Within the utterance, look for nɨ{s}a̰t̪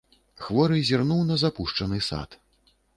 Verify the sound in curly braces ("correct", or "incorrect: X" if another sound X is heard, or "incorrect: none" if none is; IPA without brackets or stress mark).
correct